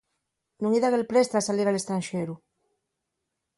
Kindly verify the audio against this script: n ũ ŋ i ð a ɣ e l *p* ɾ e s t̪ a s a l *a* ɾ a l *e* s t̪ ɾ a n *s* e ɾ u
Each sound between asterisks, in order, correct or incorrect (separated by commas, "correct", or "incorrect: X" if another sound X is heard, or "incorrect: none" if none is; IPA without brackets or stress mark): correct, incorrect: i, correct, incorrect: ʃ